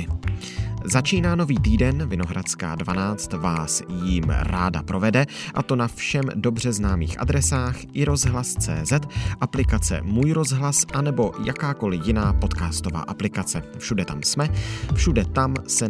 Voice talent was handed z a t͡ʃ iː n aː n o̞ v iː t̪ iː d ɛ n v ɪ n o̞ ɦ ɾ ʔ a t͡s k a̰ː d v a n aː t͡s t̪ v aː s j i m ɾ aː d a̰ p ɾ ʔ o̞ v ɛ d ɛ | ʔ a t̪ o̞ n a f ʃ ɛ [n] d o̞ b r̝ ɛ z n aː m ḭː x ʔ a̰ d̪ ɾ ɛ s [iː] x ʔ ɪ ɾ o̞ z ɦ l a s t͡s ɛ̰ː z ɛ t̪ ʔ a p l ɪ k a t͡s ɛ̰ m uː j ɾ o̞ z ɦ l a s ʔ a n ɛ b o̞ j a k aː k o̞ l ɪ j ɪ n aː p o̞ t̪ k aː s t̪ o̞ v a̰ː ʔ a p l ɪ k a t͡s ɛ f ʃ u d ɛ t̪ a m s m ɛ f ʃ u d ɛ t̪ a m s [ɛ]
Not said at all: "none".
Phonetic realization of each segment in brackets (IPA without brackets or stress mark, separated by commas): m, aː, ɛ